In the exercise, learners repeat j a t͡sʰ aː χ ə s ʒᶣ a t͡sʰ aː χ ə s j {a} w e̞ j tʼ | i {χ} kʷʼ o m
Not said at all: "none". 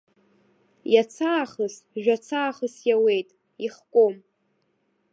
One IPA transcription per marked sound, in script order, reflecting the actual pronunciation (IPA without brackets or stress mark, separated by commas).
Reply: a, χ